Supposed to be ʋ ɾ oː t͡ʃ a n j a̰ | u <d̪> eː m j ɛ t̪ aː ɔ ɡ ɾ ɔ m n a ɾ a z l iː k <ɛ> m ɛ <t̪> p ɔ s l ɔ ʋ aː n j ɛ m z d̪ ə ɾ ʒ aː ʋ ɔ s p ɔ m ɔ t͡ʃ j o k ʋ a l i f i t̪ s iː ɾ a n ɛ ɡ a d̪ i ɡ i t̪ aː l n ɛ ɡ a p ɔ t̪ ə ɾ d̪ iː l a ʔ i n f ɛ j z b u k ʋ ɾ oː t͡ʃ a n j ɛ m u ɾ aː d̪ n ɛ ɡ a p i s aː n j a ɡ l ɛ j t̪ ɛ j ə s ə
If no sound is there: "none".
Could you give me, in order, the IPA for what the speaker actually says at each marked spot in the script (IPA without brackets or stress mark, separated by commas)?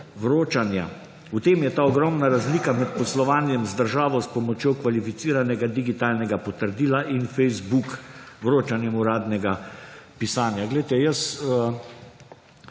t̪, a, t̪